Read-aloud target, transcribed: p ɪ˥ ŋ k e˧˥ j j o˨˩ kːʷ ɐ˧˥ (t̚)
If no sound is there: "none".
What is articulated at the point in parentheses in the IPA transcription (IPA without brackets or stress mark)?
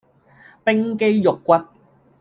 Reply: t̚